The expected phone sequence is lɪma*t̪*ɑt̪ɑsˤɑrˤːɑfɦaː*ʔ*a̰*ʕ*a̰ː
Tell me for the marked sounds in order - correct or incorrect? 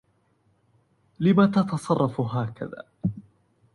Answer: correct, incorrect, incorrect

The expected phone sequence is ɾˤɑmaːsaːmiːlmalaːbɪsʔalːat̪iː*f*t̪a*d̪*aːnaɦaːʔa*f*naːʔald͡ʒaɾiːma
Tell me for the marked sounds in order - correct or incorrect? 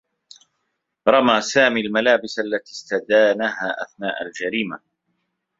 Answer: incorrect, correct, incorrect

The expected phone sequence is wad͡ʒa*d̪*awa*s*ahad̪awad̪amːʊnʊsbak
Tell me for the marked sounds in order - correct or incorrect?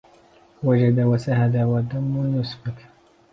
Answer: correct, correct

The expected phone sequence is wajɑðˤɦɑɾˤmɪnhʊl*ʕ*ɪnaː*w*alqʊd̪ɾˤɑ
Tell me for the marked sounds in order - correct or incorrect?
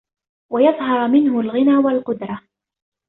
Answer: incorrect, correct

